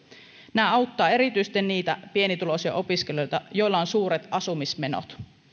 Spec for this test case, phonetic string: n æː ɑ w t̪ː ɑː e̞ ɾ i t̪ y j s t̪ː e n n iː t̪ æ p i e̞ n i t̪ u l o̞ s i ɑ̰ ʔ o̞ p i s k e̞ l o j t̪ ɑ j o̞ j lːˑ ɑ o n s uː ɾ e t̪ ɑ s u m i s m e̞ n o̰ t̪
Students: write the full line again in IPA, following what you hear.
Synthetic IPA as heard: n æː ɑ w t̪ː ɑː e̞ ɾ i t̪ y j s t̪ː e n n iː t̪ æ p i e̞ n i t̪ u l o̞ s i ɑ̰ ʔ o̞ p i s k e̞ l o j t̪ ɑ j o̞ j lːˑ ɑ o n s uː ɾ e t̪ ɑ s u m i s m e̞ n o̰ t̪